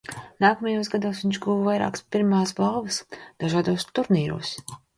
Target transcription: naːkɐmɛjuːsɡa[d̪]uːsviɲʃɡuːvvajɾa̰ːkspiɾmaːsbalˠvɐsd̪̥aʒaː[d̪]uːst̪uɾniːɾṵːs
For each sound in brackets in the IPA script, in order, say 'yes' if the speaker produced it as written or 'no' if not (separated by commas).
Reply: yes, yes